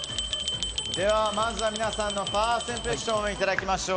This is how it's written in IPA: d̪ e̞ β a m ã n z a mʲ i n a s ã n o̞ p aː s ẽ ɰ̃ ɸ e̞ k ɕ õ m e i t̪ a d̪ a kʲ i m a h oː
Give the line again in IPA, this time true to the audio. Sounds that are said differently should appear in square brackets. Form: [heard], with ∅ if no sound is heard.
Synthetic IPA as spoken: d̪ e̞ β a m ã n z a mʲ i n a s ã [nː] o̞ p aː s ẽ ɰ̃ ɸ e̞ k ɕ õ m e i t̪ a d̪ a kʲ i m a [ɕ] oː